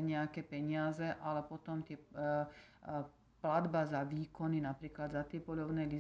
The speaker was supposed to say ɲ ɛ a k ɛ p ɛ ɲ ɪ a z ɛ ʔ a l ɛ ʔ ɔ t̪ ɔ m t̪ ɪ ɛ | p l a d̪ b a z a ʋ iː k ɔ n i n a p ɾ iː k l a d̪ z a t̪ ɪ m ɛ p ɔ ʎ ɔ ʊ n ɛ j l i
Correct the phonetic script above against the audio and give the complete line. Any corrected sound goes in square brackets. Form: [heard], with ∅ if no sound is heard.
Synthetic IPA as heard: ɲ ɛ a k ɛ p ɛ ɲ ɪ a z ɛ ʔ a l ɛ [p] ɔ t̪ ɔ m t̪ ɪ ɛ | p l a d̪ b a z a ʋ iː k ɔ n i n a p ɾ iː k l a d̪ z a t̪ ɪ [∅] ɛ p ɔ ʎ ɔ ʊ n ɛ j l i